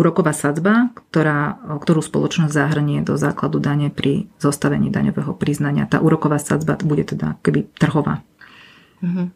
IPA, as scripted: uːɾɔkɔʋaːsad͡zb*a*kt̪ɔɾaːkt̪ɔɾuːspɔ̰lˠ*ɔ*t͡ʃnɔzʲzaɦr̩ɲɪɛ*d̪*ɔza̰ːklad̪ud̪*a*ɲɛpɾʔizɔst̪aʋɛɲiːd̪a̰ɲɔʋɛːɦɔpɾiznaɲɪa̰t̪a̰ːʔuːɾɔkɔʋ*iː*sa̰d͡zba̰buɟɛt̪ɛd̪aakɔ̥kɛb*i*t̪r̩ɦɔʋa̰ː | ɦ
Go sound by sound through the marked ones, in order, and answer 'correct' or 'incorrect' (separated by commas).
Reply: correct, correct, correct, correct, incorrect, correct